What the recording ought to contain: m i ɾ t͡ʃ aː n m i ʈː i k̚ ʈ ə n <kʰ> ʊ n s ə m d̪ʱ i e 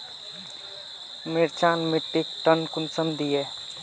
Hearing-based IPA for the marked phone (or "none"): k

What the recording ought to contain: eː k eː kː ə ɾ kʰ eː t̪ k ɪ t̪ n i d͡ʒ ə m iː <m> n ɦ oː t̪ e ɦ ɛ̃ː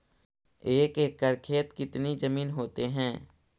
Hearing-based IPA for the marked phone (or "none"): none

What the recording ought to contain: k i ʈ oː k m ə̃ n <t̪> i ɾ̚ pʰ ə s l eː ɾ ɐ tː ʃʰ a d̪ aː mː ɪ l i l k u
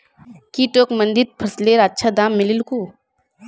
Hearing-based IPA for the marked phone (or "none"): d̪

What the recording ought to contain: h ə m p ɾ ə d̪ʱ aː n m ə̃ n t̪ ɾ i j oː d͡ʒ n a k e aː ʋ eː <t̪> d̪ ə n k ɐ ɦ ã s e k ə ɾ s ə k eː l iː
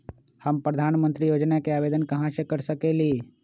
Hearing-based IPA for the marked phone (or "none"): none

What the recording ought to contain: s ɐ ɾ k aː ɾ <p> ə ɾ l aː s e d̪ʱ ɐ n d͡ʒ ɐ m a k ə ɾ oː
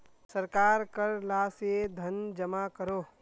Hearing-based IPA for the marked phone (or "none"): k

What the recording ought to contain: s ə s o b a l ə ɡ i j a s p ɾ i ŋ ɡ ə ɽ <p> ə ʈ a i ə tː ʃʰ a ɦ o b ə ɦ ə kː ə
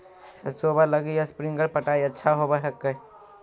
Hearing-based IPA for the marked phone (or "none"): p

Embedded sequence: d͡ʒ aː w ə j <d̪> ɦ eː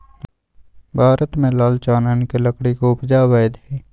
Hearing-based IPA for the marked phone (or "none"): d̪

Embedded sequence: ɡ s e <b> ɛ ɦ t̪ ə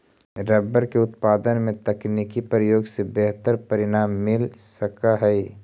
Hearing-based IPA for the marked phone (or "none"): b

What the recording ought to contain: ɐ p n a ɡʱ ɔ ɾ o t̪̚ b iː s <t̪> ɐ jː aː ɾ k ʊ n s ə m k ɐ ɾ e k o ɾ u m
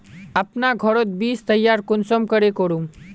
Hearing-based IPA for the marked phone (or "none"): t̪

